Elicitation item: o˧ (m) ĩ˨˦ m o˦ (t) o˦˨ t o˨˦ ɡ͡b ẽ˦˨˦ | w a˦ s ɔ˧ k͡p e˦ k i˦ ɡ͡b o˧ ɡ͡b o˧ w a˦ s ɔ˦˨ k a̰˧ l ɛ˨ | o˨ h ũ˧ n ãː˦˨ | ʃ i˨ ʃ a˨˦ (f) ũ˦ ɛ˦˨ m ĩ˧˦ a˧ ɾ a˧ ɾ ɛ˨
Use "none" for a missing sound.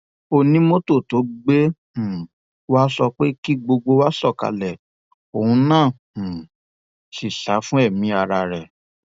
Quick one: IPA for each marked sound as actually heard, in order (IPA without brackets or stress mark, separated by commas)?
n, t, f